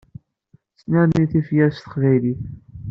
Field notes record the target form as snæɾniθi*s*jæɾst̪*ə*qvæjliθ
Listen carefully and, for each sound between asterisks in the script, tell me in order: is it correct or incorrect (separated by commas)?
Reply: incorrect, correct